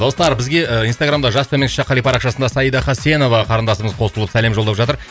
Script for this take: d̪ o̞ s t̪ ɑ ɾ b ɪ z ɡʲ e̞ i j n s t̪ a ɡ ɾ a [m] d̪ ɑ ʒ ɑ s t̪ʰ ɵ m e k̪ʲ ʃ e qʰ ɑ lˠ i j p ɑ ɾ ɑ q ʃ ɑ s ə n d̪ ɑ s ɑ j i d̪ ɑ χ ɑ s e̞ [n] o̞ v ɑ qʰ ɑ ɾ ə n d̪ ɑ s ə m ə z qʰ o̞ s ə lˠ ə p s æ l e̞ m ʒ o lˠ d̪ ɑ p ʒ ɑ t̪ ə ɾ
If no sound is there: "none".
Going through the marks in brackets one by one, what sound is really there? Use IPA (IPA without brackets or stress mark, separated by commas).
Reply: m, n